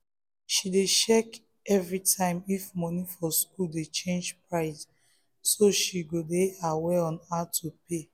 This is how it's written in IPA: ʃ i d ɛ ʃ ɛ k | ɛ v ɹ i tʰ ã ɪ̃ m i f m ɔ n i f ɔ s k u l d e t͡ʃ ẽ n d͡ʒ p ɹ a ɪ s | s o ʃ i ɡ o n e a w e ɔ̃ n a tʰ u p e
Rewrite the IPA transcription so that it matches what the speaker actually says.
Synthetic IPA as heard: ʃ i d e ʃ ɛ k | ɛ v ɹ i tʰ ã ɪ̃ m i f m ɔ n i f ɔ s k u l d e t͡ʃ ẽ n d͡ʒ p ɹ a ɪ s | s o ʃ i ɡ o d e a w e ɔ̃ n a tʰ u p e